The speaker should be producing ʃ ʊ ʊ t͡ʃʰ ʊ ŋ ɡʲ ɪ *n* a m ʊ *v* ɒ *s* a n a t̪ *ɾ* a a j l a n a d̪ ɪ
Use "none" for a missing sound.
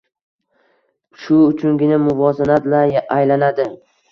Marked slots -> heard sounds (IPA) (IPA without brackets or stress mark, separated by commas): n, v, z, l